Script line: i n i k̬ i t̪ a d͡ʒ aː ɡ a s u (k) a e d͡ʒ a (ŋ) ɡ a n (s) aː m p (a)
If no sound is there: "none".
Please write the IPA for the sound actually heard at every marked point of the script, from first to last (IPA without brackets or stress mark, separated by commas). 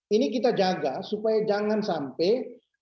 p, ŋ, s, e